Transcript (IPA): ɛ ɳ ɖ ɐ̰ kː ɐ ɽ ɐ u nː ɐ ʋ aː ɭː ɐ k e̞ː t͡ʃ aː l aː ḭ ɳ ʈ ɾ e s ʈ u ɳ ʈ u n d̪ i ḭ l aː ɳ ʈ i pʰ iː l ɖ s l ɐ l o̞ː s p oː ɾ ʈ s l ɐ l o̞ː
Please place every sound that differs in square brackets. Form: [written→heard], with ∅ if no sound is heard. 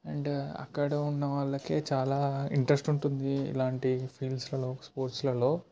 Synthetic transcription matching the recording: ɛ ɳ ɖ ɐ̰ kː ɐ ɽ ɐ u nː ɐ ʋ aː ɭː ɐ k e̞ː t͡ʃ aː l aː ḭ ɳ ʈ ɾ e s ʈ u ɳ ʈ u n d̪ i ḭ l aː ɳ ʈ i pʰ iː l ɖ s l ɐ l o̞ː s p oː ɾ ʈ s l ɐ l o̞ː